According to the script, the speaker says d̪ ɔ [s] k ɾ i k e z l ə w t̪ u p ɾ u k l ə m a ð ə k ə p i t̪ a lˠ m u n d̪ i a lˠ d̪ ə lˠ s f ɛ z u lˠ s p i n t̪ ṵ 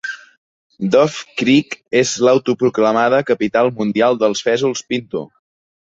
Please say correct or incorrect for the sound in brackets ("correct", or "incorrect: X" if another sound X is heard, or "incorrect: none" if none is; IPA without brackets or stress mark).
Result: incorrect: f